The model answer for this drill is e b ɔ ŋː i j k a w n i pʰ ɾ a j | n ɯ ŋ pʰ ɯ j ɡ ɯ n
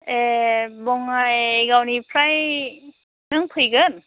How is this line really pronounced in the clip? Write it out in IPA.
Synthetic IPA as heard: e b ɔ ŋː a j ɡ a w n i pʰ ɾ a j | n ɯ ŋ pʰ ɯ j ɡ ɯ n